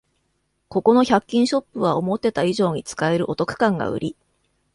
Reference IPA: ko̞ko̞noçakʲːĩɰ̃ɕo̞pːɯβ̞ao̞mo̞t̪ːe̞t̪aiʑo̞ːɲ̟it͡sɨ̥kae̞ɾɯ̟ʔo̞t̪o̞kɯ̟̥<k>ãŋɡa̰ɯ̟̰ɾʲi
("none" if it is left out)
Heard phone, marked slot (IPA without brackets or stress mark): k